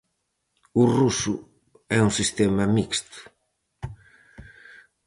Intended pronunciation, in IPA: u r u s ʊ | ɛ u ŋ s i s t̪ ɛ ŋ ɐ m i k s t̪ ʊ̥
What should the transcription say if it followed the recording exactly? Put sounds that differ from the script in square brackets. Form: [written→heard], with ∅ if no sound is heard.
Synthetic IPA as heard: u r u s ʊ | ɛ u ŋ s i s t̪ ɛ [ŋ→m] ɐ m i k s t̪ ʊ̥